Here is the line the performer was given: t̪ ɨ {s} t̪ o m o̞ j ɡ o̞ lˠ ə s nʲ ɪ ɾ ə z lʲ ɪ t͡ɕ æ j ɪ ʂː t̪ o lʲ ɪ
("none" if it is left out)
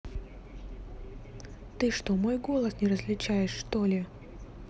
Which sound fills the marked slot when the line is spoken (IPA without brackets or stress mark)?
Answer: ʂ